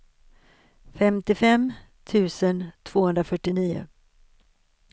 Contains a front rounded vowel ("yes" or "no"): yes